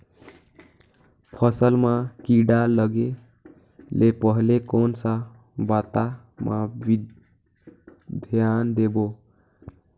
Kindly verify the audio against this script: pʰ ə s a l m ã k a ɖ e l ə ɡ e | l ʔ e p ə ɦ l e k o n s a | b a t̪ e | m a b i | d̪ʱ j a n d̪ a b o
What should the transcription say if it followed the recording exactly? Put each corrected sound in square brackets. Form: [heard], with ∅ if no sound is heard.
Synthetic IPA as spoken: pʰ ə s [ə] l m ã k [i] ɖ [a] l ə ɡ e | l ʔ e p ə ɦ l e k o n s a | b a t̪ [a] | m a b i | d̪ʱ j a n d̪ [e] b o